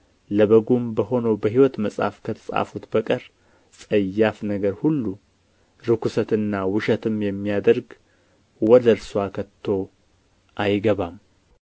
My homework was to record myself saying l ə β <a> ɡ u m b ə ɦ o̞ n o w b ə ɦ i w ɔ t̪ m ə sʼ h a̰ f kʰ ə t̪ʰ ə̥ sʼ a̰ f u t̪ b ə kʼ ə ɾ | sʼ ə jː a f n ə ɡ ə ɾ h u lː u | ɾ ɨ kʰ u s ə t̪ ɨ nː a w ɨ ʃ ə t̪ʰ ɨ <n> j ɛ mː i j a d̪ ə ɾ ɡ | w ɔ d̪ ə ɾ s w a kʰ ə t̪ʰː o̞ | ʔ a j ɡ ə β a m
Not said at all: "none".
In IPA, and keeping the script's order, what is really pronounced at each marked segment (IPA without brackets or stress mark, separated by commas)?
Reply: ə, m